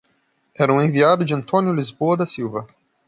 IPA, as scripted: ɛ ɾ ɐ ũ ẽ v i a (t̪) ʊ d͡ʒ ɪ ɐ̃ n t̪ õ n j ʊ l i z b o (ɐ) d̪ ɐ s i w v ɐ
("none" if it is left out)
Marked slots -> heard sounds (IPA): d̪, ɐ

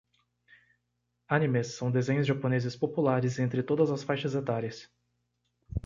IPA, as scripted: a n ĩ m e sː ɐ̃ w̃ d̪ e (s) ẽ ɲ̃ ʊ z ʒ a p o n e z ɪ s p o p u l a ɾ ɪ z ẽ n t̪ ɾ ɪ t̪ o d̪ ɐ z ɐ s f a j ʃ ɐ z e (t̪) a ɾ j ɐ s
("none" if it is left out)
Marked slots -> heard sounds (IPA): z, t̪

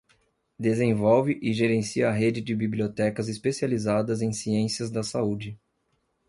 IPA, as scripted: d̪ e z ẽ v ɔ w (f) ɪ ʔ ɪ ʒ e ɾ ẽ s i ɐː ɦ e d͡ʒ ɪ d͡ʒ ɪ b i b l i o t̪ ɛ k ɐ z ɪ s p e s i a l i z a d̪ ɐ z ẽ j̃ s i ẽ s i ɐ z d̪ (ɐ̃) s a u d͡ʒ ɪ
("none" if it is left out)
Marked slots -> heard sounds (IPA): v, ɐ

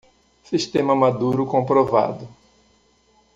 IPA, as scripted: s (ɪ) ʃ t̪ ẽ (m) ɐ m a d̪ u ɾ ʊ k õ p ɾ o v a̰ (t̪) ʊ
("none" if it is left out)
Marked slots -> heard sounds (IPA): i, m, d̪

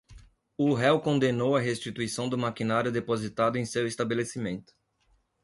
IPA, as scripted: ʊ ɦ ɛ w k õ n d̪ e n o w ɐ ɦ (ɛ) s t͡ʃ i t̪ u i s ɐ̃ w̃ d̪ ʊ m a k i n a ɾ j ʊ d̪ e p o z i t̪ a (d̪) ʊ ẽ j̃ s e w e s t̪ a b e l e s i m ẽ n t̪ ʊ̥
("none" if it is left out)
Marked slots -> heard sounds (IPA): e, d̪

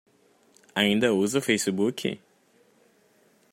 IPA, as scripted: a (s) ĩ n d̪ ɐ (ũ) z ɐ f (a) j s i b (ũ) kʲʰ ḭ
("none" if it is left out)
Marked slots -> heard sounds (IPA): none, u, e, u

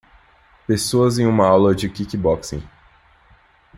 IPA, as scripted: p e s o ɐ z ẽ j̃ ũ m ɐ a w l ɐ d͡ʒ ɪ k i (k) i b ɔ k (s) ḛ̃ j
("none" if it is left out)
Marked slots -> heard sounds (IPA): k, s

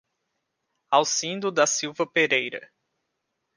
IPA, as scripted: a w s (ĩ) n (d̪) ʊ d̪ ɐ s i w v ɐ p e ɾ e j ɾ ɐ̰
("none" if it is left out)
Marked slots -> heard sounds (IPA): ĩ, d̪

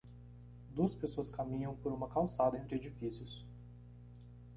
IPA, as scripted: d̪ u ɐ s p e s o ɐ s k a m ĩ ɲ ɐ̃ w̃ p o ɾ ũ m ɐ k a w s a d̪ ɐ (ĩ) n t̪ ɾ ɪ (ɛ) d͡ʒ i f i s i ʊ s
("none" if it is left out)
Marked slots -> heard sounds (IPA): ẽ, e

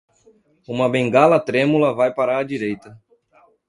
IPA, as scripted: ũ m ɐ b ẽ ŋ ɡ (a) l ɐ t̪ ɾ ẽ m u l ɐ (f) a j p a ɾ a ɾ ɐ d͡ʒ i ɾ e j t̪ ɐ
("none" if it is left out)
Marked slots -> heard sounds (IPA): a, v

